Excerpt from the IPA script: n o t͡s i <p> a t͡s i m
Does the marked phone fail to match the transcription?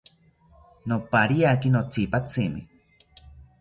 no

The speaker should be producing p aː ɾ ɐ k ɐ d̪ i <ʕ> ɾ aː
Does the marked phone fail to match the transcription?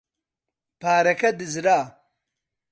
yes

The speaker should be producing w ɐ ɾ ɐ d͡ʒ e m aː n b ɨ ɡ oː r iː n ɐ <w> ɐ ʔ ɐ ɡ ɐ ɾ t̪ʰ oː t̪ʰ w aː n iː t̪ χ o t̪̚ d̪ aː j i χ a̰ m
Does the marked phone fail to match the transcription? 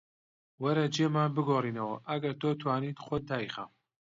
no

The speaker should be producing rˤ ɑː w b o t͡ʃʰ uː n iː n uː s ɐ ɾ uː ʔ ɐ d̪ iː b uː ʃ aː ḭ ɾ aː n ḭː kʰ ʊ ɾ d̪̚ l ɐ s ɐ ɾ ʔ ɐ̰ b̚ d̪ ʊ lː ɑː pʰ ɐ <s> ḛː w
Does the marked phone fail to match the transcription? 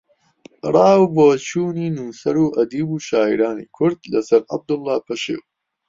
yes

